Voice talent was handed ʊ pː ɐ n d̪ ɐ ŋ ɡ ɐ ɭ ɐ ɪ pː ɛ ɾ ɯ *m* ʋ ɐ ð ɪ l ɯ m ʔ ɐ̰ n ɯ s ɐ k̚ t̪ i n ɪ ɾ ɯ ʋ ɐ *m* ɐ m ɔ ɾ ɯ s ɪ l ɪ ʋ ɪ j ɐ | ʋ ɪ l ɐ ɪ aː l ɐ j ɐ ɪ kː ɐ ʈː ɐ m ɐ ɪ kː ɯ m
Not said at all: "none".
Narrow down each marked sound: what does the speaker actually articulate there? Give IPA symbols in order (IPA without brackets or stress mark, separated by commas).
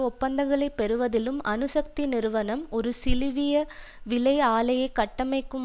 none, n